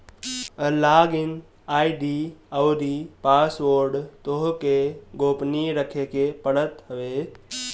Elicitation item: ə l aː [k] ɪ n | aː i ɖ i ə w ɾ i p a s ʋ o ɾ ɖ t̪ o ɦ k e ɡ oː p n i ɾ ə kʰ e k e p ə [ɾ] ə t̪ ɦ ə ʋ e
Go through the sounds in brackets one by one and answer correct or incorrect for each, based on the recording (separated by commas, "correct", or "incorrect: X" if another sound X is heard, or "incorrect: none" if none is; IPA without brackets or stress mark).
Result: incorrect: ɡ, incorrect: ɽ